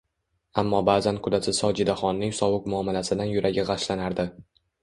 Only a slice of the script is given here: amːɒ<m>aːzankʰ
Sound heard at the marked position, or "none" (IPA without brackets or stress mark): b